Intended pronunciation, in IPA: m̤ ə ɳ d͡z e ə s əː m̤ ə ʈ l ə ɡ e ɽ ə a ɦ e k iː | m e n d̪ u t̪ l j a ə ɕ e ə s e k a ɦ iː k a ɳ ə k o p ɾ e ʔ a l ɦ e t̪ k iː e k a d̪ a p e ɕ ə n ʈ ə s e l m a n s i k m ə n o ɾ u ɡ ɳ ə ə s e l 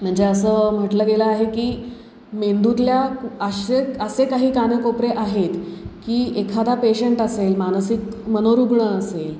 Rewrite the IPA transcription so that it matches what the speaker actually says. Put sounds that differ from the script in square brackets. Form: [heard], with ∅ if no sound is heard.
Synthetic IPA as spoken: m̤ ə ɳ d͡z e ə s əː m̤ ə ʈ l ə ɡ e [l] ə a ɦ e k iː | m e n d̪ u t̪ l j a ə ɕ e ə s e k a ɦ iː k a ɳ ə k o p ɾ e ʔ a [∅] ɦ e t̪ k iː e [kʰ] a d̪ a p e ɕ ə [ɳ] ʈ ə s e l m a n s i k m ə n o ɾ u ɡ ɳ ə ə s e l